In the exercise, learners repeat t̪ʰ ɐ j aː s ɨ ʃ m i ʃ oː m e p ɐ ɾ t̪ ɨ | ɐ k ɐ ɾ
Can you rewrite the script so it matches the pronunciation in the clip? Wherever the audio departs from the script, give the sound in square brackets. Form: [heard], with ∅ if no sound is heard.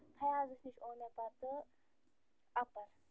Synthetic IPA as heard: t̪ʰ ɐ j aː [z] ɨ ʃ [n] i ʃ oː [n] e p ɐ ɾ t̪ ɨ | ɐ [p] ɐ ɾ

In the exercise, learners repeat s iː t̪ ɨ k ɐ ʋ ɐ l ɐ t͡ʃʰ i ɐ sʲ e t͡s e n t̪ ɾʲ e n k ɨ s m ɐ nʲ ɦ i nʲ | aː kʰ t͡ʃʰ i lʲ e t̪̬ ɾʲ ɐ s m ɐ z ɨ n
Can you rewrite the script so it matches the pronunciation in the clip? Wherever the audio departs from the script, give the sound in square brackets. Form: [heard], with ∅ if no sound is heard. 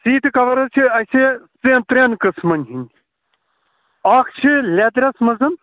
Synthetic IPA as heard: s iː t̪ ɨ k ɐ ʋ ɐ [ɾ] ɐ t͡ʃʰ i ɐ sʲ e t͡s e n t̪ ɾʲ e n k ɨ s m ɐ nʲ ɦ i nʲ | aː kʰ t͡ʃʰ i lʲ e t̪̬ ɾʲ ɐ s m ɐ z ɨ n

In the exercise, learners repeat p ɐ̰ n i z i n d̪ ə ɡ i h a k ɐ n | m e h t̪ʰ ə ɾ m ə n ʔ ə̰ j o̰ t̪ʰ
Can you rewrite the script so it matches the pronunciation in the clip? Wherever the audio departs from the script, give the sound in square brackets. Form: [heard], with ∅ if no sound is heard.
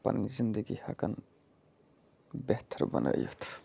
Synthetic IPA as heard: p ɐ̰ n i z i n d̪ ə ɡ i h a k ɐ n | [b] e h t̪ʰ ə ɾ [b] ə n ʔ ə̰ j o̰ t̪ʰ

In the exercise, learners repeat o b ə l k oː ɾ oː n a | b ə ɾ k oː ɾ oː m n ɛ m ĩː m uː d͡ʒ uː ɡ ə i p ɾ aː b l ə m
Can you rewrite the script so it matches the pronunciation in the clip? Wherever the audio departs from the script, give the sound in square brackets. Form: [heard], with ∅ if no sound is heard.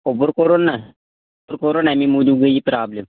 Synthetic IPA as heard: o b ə [ɾ] k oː ɾ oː n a | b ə ɾ k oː ɾ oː [∅] n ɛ m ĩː m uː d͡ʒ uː ɡ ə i p ɾ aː b l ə m

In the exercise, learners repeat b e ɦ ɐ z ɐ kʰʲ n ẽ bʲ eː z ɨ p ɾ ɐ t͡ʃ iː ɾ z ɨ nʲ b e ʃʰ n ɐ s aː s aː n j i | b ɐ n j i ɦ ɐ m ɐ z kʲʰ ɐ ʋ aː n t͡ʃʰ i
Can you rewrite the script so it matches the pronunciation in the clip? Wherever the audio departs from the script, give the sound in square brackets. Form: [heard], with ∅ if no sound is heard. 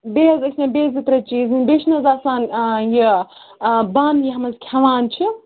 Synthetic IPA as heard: b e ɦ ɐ z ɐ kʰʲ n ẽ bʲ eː z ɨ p ɾ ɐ t͡ʃ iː [∅] z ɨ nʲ b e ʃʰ n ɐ [z] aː s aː n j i | b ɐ n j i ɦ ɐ m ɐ z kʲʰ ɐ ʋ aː n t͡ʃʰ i

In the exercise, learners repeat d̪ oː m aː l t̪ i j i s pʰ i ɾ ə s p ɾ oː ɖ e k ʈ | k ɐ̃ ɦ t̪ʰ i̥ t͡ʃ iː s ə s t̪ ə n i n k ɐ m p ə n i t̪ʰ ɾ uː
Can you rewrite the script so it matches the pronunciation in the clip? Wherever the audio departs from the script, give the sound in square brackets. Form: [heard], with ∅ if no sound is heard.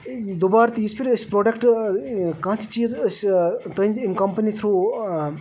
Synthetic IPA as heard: d̪ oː [b] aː [ɾ] t̪ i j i s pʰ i ɾ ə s p ɾ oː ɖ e k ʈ | k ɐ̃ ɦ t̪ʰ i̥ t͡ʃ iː [z] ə s t̪ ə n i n k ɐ m p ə n i t̪ʰ ɾ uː

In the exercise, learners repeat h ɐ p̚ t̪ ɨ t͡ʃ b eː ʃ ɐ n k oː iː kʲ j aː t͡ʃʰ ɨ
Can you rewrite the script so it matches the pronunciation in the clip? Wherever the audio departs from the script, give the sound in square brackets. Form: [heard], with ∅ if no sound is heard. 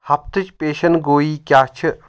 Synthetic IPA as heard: h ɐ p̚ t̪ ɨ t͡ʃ [p] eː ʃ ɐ n [ɡ] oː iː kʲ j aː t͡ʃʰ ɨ

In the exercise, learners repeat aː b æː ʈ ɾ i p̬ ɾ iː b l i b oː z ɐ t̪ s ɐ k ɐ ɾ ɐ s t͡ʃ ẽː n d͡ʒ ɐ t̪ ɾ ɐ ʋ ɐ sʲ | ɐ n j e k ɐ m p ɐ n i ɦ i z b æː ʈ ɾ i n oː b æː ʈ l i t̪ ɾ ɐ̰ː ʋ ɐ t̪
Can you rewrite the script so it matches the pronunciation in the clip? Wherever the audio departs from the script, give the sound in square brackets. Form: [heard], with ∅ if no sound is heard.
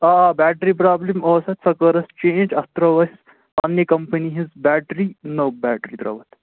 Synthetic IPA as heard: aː b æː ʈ ɾ i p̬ ɾ [aː] b l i [m] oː [s] ɐ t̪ s ɐ k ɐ ɾ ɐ s t͡ʃ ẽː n d͡ʒ ɐ t̪ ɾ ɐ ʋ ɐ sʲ | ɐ n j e k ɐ m p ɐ n i ɦ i z b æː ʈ ɾ i n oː b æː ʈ [ɾ] i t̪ ɾ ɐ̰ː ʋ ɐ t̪

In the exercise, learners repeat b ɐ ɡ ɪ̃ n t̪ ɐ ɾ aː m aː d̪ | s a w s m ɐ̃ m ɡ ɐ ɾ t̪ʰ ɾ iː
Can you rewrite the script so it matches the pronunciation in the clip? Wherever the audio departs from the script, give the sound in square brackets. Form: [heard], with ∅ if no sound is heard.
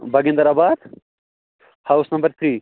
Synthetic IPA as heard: b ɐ ɡ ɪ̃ n [d̪] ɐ ɾ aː [b] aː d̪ | [h] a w s [n] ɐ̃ m [b] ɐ ɾ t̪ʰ ɾ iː

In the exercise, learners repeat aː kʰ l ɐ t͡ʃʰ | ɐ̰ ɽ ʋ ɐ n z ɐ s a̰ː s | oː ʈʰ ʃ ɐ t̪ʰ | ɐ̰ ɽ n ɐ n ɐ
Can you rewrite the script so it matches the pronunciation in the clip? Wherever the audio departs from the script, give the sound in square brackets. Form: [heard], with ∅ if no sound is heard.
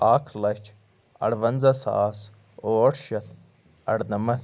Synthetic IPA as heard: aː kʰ l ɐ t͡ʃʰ | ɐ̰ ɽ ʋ ɐ n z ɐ s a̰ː s | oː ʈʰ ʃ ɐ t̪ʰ | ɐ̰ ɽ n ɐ [m] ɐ

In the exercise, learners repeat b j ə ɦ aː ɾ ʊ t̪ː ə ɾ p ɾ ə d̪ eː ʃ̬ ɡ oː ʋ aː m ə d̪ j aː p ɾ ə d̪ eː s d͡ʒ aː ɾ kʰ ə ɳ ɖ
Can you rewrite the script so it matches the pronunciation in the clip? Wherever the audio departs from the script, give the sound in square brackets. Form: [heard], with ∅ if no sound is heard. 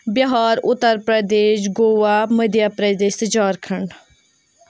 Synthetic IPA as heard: b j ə ɦ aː ɾ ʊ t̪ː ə ɾ p ɾ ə d̪ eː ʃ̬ ɡ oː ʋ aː m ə d̪ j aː p ɾ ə d̪ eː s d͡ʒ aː ɾ kʰ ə ɳ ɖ

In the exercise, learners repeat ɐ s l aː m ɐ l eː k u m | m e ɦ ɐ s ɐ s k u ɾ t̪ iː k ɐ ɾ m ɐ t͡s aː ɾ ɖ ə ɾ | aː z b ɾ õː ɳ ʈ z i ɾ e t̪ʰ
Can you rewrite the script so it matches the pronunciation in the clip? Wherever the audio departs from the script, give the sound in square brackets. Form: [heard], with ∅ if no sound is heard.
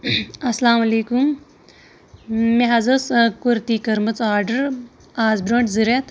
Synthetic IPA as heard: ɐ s l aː m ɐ l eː k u m | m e ɦ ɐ [z] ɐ s k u ɾ t̪ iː k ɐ ɾ m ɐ t͡s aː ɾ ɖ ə ɾ | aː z b ɾ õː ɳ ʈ z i ɾ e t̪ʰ

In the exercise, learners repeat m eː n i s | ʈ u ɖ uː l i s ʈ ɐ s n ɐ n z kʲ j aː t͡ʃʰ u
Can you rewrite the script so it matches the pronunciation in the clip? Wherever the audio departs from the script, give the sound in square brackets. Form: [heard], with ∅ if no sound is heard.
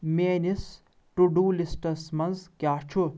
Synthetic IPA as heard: m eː n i s | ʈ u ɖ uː l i s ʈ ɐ s [m] ɐ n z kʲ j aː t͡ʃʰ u

